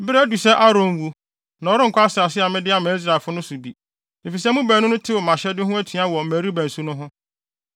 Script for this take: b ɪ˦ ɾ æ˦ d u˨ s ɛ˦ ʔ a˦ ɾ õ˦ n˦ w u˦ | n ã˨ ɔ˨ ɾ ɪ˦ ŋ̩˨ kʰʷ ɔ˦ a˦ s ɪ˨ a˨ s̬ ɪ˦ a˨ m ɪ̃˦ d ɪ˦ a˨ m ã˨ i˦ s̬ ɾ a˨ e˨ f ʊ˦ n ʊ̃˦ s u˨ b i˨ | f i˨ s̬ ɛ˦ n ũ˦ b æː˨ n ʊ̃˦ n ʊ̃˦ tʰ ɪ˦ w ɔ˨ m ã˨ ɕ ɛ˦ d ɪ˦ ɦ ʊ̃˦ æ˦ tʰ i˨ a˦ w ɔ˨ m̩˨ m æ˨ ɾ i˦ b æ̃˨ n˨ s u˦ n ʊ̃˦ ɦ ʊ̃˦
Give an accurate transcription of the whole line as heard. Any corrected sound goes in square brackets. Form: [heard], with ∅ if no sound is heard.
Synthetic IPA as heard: b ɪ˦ ɾ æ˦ d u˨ s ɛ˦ ʔ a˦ ɾ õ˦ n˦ w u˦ | n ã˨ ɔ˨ ɾ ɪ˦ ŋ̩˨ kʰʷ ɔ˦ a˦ s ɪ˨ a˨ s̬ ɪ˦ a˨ m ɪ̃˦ d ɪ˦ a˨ m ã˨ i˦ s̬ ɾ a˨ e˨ f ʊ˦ n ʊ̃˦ s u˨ b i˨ | f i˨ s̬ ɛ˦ [m] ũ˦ b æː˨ n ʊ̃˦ n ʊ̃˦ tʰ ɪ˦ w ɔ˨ m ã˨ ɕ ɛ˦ d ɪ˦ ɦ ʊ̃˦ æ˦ tʰ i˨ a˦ w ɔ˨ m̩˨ m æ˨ ɾ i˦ b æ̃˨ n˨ s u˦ n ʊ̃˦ ɦ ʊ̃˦